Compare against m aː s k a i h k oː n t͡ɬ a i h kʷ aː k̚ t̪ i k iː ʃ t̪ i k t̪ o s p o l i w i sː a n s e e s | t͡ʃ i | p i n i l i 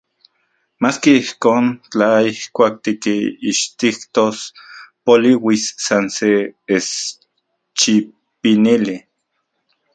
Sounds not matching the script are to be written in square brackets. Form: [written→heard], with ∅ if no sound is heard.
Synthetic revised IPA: m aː s k [a→i] i h k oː n t͡ɬ a i h kʷ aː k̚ t̪ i k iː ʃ t̪ i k t̪ o s p o l i w i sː a n s e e s | t͡ʃ i | p i n i l i